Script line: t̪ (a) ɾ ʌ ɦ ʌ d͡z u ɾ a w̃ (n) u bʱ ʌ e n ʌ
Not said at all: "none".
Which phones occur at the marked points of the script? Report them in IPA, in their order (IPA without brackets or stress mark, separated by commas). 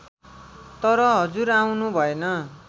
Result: ʌ, n